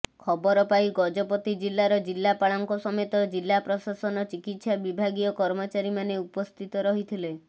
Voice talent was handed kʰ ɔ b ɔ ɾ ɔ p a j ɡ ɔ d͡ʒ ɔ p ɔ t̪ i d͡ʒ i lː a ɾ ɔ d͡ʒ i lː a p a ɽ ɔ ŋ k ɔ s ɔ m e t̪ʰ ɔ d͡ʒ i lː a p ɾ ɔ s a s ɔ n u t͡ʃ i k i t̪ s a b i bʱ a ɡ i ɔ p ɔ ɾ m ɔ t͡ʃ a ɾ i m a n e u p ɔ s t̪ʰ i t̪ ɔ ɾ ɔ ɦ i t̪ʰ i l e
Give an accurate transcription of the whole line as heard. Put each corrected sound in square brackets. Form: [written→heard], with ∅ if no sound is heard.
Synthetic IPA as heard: kʰ ɔ b ɔ ɾ ɔ p a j ɡ ɔ d͡ʒ ɔ p ɔ t̪ i d͡ʒ i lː a ɾ ɔ d͡ʒ i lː a p a [ɽ→ɭ] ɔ ŋ k ɔ s ɔ m e [t̪ʰ→t̪] ɔ d͡ʒ i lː a p ɾ ɔ s a s ɔ n [u→ɔ] t͡ʃ i k i t̪ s a b i bʱ a ɡ i ɔ [p→k] ɔ ɾ m ɔ t͡ʃ a ɾ i m a n e u p ɔ s t̪ʰ i t̪ ɔ ɾ ɔ ɦ i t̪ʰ i l e